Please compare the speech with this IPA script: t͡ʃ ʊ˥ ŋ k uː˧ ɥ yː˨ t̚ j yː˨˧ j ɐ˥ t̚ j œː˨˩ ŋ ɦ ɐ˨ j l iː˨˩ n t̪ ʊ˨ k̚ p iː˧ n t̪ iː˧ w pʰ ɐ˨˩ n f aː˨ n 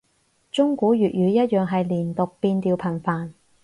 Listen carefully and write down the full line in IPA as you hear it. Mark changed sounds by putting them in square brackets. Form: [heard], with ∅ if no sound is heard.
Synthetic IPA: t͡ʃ ʊ˥ ŋ k [uː˨˥] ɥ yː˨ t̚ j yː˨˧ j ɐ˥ t̚ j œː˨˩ ŋ ɦ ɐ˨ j l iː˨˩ n t̪ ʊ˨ k̚ p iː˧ n t̪ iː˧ w pʰ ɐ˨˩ n f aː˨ n